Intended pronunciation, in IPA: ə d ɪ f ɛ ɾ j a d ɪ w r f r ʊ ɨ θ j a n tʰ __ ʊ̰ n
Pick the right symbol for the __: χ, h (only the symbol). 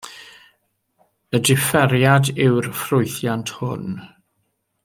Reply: h